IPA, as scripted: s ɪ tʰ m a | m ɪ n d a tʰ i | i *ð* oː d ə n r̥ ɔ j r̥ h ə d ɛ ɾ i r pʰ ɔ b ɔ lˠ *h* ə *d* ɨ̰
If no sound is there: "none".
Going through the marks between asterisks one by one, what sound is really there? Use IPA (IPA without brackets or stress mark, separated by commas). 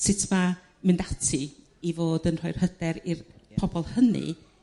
v, h, n